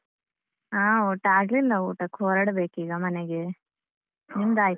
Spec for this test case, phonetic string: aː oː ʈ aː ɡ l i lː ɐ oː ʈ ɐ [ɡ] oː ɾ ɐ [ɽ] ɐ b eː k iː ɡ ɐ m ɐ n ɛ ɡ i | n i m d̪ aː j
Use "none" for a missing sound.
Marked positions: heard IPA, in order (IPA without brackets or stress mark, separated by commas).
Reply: k, ɽ